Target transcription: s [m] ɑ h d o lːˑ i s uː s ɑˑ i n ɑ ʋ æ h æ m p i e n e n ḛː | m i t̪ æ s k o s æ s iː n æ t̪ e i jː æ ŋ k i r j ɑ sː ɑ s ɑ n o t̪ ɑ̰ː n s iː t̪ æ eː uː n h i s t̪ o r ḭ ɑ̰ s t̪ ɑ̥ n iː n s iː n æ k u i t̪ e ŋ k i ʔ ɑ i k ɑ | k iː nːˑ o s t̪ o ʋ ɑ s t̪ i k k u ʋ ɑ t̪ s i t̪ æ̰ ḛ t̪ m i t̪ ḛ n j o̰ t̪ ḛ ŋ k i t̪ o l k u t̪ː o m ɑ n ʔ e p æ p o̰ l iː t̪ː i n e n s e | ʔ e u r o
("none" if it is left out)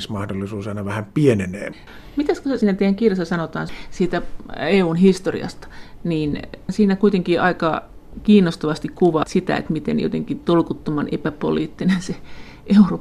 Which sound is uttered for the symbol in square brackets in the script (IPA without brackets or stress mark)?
m